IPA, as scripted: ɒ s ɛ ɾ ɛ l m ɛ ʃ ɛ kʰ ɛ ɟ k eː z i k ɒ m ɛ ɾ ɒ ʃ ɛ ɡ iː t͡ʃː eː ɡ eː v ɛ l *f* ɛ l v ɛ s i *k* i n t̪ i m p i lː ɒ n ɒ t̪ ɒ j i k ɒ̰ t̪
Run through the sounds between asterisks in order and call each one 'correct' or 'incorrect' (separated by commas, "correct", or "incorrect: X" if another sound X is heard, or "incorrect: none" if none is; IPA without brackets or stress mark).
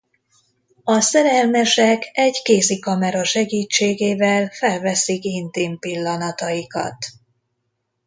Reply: correct, correct